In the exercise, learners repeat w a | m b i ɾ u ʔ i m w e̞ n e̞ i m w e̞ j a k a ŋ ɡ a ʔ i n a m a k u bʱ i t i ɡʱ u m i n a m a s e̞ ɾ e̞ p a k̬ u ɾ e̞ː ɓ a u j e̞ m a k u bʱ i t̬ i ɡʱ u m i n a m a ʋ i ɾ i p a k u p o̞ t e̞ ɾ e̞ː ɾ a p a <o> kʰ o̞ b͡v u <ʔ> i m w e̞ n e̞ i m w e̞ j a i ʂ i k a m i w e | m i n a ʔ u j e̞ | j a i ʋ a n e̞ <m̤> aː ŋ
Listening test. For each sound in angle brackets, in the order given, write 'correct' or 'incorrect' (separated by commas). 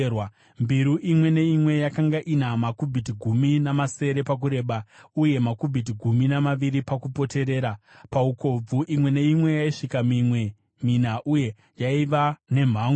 incorrect, correct, correct